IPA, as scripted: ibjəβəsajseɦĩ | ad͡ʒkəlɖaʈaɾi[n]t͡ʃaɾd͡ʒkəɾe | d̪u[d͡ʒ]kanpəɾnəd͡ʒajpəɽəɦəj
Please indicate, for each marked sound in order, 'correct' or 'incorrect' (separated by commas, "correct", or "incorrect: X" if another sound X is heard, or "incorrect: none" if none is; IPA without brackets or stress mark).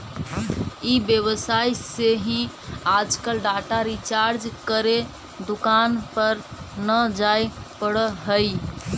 incorrect: none, incorrect: none